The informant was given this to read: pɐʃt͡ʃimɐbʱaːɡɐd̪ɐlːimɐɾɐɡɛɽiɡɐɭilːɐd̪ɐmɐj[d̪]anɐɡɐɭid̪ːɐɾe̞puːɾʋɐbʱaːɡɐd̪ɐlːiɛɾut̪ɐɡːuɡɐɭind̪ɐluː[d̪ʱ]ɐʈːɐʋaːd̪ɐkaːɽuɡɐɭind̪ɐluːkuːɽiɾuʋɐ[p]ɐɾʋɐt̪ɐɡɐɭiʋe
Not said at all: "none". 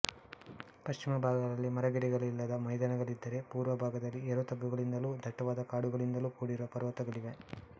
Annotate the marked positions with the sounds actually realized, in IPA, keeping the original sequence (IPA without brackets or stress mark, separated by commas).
d̪, d̪ʱ, p